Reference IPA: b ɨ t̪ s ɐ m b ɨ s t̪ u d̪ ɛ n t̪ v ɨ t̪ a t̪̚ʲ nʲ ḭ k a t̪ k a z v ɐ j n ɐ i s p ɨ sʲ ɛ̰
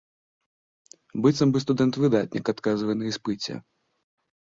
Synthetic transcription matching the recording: b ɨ t̪ s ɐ m b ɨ s t̪ u d̪ ɛ n t̪ v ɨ d̪ a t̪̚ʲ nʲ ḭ k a t̪ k a z v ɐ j n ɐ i s p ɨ t͡sʲ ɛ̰